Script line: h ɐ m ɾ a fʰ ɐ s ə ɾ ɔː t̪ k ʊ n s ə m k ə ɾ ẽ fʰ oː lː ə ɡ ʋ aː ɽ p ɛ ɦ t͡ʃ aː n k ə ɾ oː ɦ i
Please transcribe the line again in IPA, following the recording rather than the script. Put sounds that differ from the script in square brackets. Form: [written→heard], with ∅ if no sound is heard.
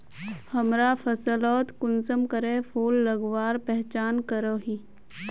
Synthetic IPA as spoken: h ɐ m ɾ a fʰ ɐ s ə [ɾ→l] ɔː t̪ k ʊ n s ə m k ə ɾ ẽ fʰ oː lː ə ɡ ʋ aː [ɽ→ɾ] p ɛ ɦ t͡ʃ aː n k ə ɾ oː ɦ i